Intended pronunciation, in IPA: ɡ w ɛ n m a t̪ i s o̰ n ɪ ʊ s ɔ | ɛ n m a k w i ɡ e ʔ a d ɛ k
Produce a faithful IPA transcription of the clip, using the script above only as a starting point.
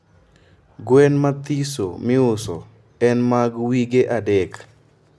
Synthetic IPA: ɡ w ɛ n m a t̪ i s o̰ m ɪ ʊ s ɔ | ɛ n m a ɡ w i ɡ e ʔ a d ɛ k